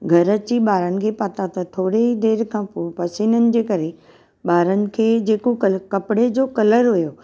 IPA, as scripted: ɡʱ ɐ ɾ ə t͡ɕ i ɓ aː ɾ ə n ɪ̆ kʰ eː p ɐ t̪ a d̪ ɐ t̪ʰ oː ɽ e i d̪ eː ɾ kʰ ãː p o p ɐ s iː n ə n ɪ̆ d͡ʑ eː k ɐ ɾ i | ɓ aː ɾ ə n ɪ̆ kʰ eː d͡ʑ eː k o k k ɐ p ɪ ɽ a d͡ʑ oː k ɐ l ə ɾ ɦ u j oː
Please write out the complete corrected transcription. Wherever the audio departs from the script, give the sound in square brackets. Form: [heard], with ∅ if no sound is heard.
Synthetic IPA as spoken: ɡʱ ɐ ɾ ə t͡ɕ i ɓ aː ɾ ə n ɪ̆ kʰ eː p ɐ t̪ a [t̪] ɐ t̪ʰ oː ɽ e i d̪ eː ɾ kʰ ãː p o p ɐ s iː n ə n ɪ̆ d͡ʑ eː k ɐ ɾ [e] | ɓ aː ɾ ə n ɪ̆ kʰ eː d͡ʑ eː k o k k ɐ p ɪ ɽ [e] d͡ʑ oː k ɐ l ə ɾ ɦ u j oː